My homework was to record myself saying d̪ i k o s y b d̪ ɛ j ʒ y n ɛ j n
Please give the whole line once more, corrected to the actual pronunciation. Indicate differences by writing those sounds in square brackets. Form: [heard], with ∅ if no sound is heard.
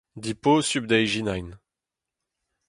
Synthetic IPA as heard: d̪ i [p] o s y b d̪ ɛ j ʒ [i] n [a] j n